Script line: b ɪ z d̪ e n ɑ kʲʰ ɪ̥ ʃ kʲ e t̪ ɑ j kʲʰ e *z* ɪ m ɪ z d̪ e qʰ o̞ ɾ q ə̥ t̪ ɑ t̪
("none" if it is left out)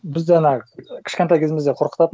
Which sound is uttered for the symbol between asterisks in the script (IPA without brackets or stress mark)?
z